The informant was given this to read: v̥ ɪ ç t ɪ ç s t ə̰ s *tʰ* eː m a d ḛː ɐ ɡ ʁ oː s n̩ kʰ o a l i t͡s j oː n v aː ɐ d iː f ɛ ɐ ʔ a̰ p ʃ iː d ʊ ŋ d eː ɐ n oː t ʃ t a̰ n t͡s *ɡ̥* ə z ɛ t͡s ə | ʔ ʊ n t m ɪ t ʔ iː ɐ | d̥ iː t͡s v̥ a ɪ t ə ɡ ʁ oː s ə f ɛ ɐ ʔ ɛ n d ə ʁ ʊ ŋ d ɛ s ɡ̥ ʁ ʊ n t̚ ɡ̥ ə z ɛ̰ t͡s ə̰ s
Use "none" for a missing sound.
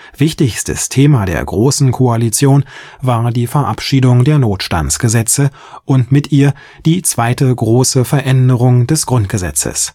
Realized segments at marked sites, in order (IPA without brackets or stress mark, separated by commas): tʰ, ɡ̥